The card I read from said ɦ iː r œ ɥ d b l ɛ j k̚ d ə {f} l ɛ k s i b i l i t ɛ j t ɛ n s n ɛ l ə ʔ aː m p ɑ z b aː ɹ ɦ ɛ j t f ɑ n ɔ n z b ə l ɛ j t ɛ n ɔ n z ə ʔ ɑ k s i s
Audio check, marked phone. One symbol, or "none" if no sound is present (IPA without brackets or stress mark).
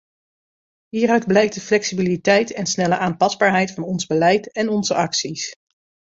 f